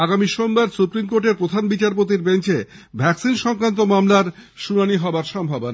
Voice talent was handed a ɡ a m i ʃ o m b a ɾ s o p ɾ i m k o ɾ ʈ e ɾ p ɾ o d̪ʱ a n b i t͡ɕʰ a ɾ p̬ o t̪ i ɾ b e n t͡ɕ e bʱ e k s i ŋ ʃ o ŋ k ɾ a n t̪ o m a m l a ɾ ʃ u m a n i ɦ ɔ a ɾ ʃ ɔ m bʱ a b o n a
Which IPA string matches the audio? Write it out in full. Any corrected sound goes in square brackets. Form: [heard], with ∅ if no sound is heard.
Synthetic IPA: a ɡ a m i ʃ o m b a ɾ s [u] p ɾ i m k o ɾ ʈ e ɾ p ɾ o d̪ʱ a n b i [t͡ɕ] a ɾ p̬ o t̪ i ɾ b e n t͡ɕ e bʱ [ɛ] k s i [n] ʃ [ɔ] ŋ k ɾ a n t̪ o m a m l a ɾ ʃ u [n] a n i ɦ ɔ a ɾ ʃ ɔ m bʱ a b o n a